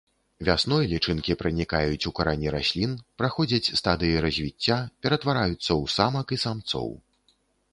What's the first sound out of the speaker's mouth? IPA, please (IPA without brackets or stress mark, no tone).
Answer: vʲ